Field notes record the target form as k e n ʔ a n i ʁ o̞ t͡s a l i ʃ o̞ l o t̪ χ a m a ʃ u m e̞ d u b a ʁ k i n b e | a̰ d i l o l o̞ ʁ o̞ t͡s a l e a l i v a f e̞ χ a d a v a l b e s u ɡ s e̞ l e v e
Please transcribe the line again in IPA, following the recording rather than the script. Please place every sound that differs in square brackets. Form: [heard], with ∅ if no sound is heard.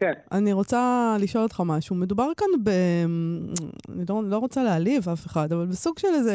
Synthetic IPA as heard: k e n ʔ a n i ʁ o̞ t͡s a l i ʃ o̞ l o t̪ χ a m a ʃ u m e̞ d u b a ʁ k [a] n b e | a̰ [n] i l o l o̞ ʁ o̞ t͡s a l e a l i v a f e̞ χ a d a v a l b e s u ɡ [ʃ] e̞ l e [z] e